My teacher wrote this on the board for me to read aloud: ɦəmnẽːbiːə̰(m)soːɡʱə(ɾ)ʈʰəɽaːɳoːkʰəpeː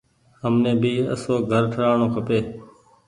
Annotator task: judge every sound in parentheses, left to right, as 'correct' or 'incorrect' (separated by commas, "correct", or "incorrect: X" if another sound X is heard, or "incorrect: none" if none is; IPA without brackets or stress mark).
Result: incorrect: none, correct